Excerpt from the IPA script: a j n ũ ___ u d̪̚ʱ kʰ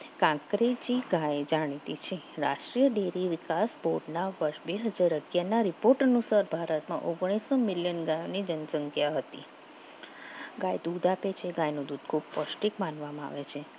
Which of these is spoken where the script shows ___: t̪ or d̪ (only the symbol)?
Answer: d̪